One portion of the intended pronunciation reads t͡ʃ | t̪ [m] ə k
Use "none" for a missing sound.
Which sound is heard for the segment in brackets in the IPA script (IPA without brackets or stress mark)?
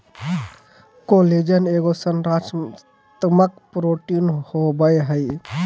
m